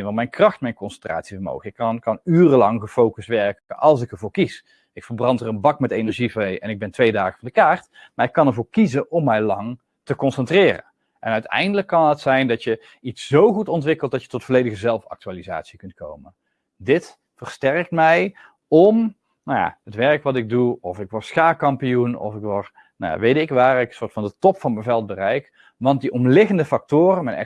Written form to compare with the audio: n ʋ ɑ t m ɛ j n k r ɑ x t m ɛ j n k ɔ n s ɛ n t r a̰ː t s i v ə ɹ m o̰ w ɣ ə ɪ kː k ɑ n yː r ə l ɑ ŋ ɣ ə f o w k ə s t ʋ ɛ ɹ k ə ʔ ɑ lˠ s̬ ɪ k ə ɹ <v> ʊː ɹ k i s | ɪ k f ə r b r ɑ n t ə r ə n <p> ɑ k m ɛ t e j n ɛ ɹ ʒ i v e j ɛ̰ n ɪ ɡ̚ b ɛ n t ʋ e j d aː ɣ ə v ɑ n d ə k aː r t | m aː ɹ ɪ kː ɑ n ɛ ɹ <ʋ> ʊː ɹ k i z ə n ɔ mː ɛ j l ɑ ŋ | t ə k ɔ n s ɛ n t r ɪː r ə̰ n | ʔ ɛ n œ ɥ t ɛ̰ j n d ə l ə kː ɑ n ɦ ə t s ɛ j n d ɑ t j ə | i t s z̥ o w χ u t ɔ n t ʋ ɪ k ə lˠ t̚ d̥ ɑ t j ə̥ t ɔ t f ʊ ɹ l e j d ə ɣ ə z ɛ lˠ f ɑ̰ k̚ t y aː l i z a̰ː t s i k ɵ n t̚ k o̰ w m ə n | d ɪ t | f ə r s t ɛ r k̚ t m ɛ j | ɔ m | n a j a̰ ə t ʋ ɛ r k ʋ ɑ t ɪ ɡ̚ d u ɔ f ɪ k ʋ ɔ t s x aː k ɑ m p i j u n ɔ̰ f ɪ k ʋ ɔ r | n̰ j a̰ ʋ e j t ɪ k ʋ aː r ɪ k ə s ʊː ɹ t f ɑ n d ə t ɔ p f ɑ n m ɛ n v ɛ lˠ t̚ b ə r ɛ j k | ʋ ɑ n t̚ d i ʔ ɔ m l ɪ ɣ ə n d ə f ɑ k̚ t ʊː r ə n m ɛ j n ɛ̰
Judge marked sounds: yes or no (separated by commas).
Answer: yes, no, no